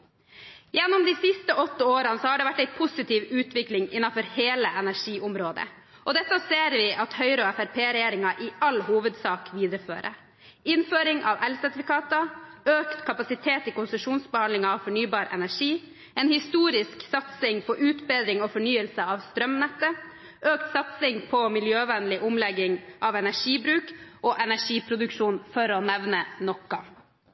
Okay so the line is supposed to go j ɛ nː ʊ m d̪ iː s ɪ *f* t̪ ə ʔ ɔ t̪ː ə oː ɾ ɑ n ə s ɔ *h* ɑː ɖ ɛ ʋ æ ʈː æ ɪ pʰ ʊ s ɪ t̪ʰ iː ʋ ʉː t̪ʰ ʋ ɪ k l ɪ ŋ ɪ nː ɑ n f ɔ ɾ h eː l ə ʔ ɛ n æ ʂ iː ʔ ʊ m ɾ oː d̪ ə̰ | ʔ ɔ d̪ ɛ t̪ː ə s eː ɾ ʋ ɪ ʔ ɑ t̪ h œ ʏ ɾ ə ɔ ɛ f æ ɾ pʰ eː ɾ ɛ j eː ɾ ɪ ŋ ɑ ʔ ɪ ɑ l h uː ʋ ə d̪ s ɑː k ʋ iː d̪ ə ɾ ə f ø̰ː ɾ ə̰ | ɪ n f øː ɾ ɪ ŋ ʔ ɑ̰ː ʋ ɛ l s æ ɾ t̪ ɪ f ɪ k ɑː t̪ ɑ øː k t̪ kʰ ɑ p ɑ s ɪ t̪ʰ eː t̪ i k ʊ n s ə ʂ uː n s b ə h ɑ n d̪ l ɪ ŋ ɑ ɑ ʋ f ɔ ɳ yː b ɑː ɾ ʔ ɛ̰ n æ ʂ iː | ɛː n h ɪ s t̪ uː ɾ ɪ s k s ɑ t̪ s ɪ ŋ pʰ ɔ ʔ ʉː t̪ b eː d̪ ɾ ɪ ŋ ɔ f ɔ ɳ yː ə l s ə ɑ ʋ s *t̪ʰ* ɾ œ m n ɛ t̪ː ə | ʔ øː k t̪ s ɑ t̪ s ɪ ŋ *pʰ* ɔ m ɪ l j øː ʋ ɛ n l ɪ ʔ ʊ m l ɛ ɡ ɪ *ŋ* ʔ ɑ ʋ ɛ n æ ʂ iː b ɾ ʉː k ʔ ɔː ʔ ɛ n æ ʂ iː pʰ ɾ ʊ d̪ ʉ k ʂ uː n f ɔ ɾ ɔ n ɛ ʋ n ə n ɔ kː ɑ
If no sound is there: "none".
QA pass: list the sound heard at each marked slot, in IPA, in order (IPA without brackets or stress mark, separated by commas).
s, h, t̪, pʰ, ŋ